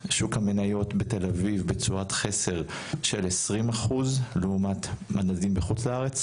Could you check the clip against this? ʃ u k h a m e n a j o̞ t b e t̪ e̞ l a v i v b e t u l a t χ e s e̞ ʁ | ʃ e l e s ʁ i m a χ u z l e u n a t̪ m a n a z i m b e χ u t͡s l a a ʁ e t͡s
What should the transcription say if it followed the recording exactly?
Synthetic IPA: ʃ u k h a m e n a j o̞ t b e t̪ e̞ l a v i v b e t͡s u a t χ e s e̞ ʁ | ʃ e l e s ʁ i m a χ u z l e u m a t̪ m a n a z i m b e χ u t͡s l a a ʁ e t͡s